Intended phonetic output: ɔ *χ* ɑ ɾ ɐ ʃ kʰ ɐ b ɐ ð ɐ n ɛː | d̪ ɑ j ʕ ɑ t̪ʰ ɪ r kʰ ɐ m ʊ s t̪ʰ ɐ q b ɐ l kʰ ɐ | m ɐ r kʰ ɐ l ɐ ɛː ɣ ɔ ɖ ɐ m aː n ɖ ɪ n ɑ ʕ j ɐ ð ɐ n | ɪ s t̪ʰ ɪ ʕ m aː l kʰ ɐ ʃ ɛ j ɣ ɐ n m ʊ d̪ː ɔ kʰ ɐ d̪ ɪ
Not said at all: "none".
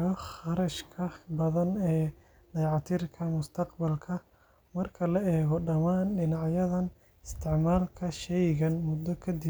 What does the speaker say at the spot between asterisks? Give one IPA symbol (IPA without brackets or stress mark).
χ